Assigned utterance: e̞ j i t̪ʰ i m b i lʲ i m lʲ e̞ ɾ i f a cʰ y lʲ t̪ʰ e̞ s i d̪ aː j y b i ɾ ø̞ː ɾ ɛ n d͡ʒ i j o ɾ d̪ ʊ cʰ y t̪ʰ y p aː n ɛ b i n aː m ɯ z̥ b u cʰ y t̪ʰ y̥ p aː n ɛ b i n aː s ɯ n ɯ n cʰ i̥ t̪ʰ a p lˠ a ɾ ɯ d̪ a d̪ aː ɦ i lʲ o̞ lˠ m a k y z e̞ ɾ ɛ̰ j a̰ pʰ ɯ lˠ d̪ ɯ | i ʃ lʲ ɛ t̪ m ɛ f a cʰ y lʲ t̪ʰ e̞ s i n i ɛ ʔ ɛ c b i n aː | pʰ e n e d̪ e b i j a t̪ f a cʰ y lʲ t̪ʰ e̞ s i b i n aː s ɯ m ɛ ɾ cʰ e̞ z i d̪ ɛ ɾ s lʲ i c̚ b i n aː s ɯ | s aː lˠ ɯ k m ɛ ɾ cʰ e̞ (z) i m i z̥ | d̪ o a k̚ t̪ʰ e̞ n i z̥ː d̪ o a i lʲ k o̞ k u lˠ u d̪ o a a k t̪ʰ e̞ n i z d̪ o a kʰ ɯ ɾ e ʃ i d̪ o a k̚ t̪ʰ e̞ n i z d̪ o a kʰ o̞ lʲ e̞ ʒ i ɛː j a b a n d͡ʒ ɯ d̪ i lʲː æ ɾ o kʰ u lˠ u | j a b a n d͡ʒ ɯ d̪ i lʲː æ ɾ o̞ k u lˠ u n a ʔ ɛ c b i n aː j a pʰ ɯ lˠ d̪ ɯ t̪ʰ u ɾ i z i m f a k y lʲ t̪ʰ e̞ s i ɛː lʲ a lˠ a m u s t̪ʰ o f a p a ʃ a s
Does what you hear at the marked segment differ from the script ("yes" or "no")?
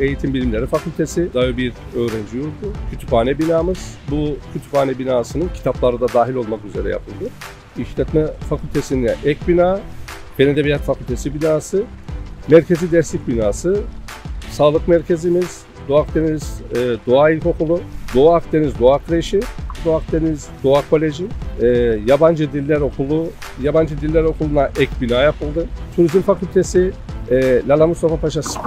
no